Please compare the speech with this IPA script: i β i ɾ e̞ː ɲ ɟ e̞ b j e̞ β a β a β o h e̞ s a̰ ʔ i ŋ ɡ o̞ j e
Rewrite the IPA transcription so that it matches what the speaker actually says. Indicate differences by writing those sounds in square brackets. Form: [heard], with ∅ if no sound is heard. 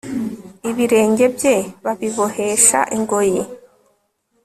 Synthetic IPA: i β i ɾ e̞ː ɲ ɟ e̞ b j e̞ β a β [i] β o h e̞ [ʃ] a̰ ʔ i ŋ ɡ o̞ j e